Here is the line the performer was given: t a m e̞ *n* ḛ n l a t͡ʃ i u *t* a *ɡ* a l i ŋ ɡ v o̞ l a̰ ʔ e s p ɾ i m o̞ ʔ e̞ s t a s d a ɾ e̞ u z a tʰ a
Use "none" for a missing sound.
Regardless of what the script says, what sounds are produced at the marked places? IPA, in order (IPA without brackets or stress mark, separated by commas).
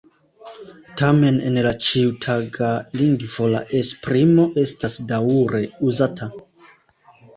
n, tʰ, ɡ